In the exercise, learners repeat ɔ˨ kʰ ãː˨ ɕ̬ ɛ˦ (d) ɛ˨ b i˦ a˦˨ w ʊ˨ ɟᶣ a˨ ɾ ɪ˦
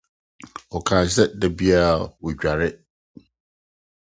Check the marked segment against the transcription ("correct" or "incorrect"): correct